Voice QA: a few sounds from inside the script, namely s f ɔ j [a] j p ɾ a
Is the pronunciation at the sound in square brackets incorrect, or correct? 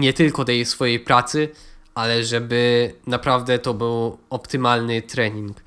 incorrect